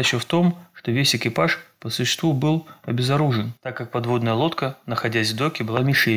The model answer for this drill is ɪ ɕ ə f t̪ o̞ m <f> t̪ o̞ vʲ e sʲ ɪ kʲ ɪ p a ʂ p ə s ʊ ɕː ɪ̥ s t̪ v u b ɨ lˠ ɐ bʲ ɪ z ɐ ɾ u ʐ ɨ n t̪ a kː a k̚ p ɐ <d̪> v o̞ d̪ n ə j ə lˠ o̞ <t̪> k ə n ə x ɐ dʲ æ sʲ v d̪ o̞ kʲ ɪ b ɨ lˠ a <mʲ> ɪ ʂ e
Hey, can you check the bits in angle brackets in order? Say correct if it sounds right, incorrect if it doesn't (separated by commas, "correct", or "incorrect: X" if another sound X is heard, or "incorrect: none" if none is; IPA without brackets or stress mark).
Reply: incorrect: ʂ, correct, correct, correct